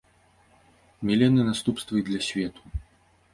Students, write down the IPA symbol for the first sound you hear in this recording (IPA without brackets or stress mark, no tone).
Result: mʲ